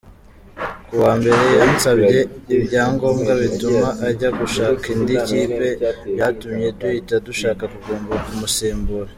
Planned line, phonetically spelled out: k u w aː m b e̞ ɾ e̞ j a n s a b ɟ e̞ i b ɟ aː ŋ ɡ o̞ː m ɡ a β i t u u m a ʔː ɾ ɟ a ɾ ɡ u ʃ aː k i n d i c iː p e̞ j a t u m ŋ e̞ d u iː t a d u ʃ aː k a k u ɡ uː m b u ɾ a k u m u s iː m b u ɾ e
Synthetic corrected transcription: k u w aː m b e̞ ɾ e̞ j a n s a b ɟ e̞ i b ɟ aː ŋ ɡ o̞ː m ɡ a β i t u u m a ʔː ɾ ɟ a ɡ u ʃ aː k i n d i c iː p e̞ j a t u m ɲ e̞ d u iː t a d u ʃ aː k a k u ɡ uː m b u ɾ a k u m u s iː m b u ɾ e